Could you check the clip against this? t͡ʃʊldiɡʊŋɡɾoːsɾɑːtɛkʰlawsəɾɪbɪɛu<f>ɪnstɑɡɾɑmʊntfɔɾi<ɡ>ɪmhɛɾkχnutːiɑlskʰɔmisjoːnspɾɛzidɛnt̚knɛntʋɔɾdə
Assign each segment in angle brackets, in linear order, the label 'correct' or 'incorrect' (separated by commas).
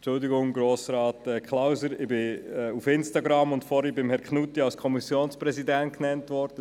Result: correct, incorrect